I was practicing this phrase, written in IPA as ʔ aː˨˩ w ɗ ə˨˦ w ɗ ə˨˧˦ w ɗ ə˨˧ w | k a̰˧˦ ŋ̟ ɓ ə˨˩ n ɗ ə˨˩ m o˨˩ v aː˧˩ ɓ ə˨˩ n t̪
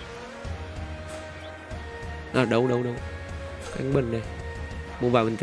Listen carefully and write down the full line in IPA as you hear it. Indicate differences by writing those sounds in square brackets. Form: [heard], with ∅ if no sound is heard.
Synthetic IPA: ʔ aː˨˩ [∅] ɗ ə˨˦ w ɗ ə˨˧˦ w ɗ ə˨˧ w | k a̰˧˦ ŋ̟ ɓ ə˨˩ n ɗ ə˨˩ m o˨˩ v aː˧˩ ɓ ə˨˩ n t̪